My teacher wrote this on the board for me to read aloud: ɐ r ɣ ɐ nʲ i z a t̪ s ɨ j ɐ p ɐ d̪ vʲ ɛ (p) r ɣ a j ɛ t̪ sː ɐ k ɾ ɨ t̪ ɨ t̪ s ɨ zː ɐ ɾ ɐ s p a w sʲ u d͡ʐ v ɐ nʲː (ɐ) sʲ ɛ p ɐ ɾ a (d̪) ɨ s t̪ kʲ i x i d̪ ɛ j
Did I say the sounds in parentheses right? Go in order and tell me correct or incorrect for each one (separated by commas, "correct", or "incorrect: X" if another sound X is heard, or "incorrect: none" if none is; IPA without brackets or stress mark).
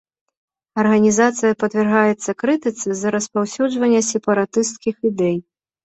incorrect: none, correct, incorrect: t̪